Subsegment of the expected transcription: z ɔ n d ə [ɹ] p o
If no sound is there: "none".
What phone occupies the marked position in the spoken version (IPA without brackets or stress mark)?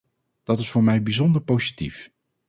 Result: ɹ